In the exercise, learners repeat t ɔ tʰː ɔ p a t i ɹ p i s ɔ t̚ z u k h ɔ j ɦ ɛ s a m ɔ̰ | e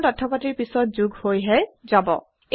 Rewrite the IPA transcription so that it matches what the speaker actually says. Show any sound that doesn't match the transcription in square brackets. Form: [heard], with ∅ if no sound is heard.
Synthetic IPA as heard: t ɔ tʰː ɔ p a t i ɹ p i s ɔ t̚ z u [ɡ] h [o] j ɦ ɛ [z] a [b] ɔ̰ | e